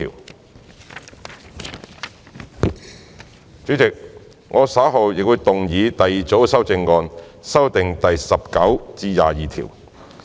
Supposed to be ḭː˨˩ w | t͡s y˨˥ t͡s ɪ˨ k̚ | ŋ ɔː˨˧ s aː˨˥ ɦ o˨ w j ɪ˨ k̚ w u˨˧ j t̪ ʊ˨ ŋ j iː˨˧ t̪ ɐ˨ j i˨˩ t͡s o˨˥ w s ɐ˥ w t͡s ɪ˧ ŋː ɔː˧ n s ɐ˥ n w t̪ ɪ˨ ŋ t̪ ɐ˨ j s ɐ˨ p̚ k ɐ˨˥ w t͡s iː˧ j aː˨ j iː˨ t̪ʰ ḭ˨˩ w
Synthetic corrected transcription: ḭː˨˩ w | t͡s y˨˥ t͡s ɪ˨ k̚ | ŋ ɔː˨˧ s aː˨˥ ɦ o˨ w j ɪ˨ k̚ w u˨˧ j t̪ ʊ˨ ŋ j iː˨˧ t̪ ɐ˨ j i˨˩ t͡s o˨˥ w s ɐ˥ w t͡s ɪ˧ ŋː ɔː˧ n s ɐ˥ w t̪ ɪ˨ ŋ t̪ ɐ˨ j s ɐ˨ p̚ k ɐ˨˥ w t͡s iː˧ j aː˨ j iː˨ t̪ʰ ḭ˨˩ w